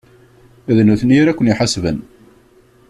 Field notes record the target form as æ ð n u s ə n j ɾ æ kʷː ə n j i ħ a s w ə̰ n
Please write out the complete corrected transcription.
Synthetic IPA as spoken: æ ð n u θ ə n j ɾ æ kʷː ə n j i ħ a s v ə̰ n

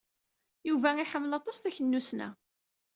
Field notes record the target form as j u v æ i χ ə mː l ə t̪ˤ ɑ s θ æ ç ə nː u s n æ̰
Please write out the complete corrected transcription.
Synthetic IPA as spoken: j u v æ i ħ ə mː l ɑ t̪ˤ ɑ s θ æ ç ə nː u s n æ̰

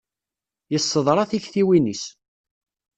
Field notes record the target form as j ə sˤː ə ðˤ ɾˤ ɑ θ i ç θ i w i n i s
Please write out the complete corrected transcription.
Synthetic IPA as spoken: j ə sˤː ə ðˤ ɾˤ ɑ θ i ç θ i w i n i s

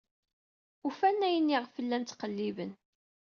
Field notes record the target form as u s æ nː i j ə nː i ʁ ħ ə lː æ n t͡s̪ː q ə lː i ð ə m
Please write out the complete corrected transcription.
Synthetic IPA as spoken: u f æ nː æ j ə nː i ʁ f ə lː æ n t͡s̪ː q ə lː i v ə n

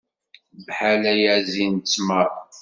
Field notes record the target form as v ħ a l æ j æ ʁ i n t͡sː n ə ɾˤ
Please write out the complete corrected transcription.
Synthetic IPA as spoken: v ħ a l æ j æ z i n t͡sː m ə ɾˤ

